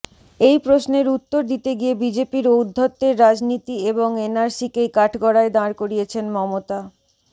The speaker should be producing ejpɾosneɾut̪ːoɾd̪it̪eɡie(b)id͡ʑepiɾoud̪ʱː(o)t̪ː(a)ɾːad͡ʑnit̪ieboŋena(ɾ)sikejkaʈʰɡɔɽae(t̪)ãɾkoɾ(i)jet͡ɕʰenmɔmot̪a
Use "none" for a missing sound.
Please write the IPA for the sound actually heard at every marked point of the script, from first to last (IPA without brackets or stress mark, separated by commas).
b, o, e, ɾ, d̪, i